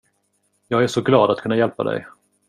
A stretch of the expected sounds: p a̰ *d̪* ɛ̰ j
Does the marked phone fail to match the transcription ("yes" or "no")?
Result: no